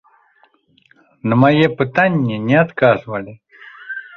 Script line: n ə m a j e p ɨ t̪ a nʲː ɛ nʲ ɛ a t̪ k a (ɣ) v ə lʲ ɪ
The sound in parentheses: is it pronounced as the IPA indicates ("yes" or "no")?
no